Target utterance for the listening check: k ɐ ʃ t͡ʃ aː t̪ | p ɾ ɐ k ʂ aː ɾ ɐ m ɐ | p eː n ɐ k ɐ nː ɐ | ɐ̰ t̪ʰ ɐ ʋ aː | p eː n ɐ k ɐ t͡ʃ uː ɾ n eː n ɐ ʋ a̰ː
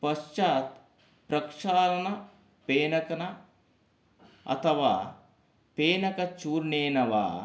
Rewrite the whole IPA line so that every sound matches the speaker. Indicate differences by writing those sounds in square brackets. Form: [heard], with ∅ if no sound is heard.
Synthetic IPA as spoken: [p] ɐ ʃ t͡ʃ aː t̪ | p ɾ ɐ k ʂ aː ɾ ɐ [n] ɐ | p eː n ɐ k ɐ [n] ɐ | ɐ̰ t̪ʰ ɐ ʋ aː | p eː n ɐ k ɐ t͡ʃ uː ɾ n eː n ɐ ʋ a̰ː